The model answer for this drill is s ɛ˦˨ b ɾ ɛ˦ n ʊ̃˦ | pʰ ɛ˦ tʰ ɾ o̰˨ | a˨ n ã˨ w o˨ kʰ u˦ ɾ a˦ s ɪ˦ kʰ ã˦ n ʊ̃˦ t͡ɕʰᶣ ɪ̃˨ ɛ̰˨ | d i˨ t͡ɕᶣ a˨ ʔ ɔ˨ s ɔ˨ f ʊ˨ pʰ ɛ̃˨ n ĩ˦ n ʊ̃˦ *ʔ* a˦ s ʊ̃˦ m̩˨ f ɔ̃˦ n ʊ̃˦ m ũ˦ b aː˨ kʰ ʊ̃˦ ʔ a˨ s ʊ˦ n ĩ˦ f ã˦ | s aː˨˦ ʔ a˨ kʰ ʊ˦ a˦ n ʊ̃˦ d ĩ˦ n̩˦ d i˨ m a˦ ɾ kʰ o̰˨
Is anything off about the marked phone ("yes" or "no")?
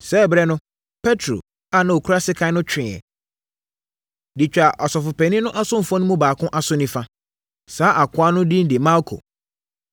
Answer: no